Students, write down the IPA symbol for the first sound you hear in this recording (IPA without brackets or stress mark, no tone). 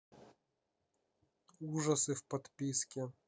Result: u